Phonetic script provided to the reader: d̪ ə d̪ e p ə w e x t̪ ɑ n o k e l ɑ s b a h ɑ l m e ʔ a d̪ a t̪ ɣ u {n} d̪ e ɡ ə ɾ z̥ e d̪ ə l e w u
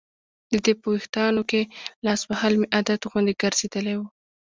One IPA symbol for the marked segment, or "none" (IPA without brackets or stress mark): n